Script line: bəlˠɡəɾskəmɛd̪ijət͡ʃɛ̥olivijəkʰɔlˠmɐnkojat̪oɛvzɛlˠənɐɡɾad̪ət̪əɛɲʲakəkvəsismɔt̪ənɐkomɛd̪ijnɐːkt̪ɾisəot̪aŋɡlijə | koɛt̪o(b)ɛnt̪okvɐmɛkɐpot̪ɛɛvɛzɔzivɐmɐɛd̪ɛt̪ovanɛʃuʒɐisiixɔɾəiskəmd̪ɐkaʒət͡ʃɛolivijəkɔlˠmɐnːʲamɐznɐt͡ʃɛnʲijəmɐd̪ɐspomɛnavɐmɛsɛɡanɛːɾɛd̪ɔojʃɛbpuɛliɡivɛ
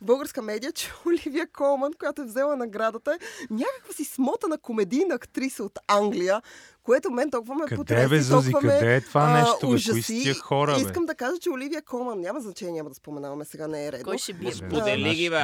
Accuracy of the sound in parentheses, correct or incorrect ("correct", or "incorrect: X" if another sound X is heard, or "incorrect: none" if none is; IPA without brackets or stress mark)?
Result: incorrect: m